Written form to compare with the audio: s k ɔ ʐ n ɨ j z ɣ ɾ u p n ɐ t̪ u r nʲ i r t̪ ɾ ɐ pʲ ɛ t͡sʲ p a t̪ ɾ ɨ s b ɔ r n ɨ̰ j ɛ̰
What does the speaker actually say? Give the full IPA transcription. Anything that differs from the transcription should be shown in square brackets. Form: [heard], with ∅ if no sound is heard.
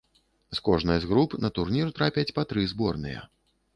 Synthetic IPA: s k ɔ ʐ n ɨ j z ɣ ɾ u p n ɐ t̪ u r nʲ i r t̪ ɾ [a] pʲ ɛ t͡sʲ p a t̪ ɾ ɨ [z] b ɔ r n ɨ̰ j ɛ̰